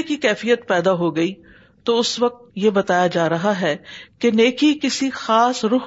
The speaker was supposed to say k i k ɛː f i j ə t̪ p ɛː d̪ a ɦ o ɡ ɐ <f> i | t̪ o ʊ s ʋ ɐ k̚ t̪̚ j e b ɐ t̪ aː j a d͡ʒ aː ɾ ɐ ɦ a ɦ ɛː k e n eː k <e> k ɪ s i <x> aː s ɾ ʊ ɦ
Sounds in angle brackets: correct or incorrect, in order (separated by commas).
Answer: incorrect, incorrect, correct